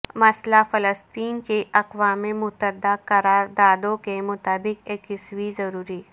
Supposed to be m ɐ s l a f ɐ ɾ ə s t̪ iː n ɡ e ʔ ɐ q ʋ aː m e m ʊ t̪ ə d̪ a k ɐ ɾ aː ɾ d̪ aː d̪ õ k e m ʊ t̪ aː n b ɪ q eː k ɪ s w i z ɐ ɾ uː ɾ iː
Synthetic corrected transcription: m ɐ s l a f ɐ l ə s t̪ iː n k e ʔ ɐ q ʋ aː m e m ʊ t̪ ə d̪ a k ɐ ɾ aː ɾ d̪ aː d̪ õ k e m ʊ t̪ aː b ɪ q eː k ɪ s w i z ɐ ɾ uː ɾ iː